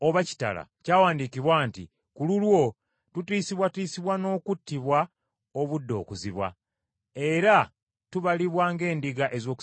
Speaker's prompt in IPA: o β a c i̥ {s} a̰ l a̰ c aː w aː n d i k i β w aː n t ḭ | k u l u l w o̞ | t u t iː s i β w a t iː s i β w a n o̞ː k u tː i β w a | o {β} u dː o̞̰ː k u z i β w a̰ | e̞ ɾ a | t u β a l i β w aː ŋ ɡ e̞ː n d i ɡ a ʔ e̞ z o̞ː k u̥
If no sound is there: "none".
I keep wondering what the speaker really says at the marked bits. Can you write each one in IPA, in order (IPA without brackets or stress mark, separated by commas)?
t, β